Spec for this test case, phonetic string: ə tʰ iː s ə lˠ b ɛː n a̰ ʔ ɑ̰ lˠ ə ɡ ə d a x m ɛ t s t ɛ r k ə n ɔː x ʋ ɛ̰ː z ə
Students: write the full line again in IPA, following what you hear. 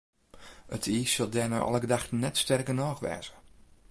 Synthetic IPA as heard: ə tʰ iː s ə lˠ d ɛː n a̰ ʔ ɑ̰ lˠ ə ɡ ə d a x n ɛ t s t ɛ r k ə n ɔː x ʋ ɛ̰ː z ə